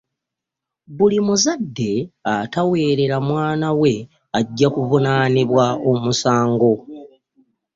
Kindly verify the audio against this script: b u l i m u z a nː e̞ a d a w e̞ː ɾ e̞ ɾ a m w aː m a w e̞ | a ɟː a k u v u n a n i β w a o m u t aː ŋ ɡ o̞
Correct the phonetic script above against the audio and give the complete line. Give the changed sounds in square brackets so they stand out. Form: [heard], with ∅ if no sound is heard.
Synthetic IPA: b u l i m u z a [dː] e̞ a [t] a w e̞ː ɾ e̞ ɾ a m w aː [n] a w e̞ | a ɟː a k u v u n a n i β w a o m u [s] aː ŋ ɡ o̞